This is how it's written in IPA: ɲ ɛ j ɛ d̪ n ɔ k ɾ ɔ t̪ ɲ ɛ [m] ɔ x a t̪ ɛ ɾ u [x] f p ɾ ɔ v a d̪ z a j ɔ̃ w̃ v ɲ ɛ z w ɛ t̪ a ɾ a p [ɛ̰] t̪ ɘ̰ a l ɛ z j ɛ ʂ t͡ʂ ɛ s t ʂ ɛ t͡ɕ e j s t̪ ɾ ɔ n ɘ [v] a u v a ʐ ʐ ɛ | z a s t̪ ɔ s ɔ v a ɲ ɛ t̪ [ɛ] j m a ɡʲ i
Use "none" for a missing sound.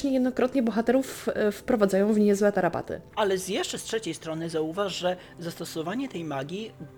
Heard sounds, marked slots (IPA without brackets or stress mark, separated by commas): b, f, a̰, z, ɛ